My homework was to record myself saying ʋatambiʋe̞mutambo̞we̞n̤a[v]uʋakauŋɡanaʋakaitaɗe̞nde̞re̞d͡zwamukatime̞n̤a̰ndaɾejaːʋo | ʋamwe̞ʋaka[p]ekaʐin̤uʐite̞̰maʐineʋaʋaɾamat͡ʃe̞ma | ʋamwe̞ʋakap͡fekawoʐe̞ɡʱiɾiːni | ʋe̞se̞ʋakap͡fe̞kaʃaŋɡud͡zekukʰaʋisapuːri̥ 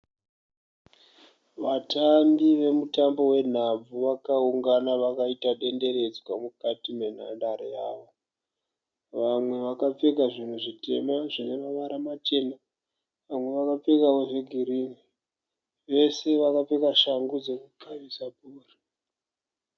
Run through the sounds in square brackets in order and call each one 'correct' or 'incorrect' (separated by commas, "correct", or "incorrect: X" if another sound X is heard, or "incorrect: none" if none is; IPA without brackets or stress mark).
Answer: incorrect: b͡v, incorrect: p͡f